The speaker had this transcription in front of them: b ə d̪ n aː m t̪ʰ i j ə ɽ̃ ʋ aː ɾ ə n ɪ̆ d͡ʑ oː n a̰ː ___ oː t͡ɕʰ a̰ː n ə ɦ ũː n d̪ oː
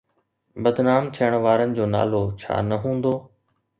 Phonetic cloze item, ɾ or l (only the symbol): l